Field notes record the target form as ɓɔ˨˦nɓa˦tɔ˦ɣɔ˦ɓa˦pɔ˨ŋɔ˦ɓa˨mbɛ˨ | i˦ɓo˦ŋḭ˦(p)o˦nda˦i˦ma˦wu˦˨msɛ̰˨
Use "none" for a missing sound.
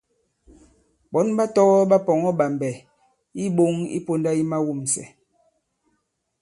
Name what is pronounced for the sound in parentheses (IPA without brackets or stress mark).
p